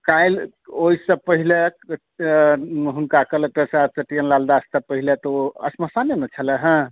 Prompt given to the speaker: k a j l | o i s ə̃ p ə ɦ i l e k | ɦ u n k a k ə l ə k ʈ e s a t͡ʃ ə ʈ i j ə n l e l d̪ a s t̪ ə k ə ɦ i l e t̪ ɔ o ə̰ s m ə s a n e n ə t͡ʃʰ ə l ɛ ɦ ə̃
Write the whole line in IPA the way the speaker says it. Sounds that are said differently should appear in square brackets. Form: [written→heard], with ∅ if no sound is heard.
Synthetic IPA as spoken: k a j l | o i s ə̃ p ə ɦ i l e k | ɦ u n k a k ə l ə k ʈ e s a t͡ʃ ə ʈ i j ə n l [e→a] l d̪ a s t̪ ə [k→p] ə ɦ i l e t̪ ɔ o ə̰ s m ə s a n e n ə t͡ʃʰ ə l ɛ ɦ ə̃